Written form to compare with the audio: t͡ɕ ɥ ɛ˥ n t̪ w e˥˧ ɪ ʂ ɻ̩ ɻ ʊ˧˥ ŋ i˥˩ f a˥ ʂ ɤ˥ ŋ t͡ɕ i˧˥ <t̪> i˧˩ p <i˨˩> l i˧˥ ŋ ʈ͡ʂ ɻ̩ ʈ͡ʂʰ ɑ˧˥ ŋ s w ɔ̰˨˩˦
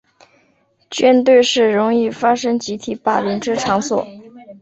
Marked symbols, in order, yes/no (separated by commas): no, no